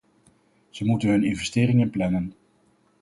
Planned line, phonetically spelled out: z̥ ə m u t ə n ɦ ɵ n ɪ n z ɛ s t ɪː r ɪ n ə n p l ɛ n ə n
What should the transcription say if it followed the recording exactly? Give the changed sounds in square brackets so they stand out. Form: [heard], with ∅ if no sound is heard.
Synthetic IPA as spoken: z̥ ə m u t ə n ɦ ɵ n ɪ n [v] ɛ s t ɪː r ɪ [ŋ] ə n p l ɛ n ə n